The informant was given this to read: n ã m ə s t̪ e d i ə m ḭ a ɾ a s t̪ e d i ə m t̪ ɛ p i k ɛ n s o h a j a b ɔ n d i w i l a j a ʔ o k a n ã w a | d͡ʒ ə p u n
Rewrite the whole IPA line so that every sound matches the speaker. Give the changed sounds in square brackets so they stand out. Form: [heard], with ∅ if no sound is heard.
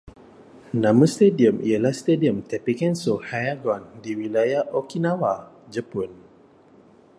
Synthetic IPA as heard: n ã m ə s t̪ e d i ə m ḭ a [l] a s t̪ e d i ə m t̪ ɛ p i k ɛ n s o h a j a [ɡ] ɔ n d i w i l a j a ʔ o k [i] n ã w a | d͡ʒ ə p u n